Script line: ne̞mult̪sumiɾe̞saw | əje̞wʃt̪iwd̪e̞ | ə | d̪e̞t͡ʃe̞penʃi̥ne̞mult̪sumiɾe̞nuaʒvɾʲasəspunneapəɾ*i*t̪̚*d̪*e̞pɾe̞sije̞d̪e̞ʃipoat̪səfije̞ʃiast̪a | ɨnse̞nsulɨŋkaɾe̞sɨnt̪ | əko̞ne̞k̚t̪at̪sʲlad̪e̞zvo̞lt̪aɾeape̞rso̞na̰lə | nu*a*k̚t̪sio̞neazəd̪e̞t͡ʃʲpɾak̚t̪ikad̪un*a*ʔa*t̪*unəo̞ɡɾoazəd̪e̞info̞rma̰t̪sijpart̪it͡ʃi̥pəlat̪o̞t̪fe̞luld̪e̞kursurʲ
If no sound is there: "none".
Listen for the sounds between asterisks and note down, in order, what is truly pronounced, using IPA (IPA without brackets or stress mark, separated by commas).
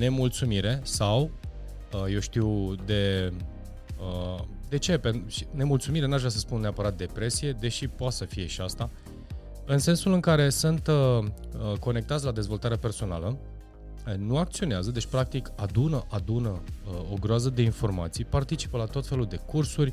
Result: a, d̪, a, ə, d̪